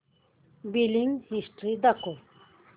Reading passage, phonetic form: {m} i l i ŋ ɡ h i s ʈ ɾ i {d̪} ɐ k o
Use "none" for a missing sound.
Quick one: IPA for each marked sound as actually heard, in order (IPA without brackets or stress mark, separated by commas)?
b, d̪